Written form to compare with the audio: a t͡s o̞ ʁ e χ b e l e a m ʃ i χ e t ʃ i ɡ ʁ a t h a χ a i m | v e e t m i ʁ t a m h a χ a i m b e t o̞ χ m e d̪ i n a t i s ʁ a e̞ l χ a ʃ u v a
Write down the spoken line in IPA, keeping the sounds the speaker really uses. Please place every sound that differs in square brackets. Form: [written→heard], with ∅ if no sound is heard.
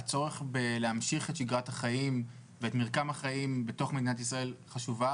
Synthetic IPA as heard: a t͡s o̞ ʁ e χ b e l e a m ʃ i χ e t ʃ i ɡ ʁ a t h a χ a i m | v e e t m i ʁ [t→k] a m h a χ a i m b e t o̞ χ m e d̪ i n a t i s ʁ a e̞ l χ a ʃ u v a